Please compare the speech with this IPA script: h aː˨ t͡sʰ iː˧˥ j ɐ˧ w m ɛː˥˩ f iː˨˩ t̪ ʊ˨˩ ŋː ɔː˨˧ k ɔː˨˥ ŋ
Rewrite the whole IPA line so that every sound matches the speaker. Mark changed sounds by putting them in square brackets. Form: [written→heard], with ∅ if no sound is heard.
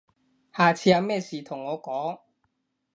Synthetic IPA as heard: h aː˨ t͡sʰ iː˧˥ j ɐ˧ w m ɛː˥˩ [f→s] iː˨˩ [t̪→t̪ʰ] ʊ˨˩ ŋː ɔː˨˧ k ɔː˨˥ ŋ